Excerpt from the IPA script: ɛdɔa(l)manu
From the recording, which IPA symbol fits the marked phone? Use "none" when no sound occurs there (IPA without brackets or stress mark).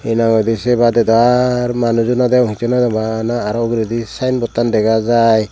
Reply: ɾ